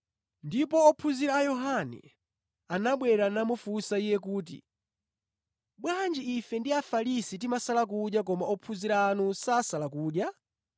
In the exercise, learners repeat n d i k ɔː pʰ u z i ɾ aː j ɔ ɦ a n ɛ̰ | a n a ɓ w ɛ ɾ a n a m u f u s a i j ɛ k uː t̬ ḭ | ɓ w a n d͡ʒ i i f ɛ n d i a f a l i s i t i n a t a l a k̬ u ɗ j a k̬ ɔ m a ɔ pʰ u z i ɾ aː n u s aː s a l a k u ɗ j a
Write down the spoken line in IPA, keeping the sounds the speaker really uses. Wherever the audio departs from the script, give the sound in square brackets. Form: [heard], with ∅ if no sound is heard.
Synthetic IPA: n d i [p] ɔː pʰ u z i ɾ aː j ɔ ɦ a n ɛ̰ | a n a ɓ w ɛ ɾ a n a m u f u s a i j ɛ k uː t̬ ḭ | ɓ w a n d͡ʒ i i f ɛ n d i a f a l i s i t i [m] a [s] a l a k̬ u ɗ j a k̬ ɔ m a ɔ pʰ u z i ɾ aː n u s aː s a l a k [uː] ɗ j a